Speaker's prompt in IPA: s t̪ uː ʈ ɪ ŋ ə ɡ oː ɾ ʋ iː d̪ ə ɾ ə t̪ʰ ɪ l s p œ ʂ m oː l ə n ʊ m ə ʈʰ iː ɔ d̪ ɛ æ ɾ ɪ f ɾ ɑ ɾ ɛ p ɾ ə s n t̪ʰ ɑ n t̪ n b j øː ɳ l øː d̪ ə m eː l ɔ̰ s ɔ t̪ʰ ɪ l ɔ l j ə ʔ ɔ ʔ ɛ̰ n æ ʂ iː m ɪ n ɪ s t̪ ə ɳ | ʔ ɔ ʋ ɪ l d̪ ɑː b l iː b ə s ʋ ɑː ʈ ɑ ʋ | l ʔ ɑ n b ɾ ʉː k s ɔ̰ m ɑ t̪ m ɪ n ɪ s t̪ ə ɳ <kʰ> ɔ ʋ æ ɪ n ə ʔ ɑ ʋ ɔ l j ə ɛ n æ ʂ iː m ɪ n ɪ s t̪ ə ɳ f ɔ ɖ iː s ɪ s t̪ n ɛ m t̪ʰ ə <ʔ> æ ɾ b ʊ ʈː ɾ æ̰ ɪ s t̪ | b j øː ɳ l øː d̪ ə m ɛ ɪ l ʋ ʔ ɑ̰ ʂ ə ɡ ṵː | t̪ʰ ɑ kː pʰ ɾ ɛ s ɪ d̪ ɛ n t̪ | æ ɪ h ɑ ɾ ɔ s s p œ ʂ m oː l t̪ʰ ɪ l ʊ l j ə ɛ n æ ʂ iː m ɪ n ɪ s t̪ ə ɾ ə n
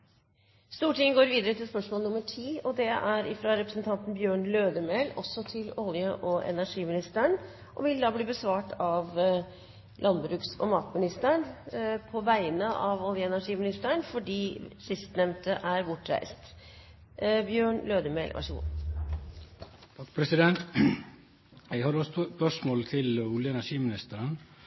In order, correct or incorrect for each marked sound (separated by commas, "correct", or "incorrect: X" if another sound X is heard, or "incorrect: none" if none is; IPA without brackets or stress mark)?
incorrect: pʰ, correct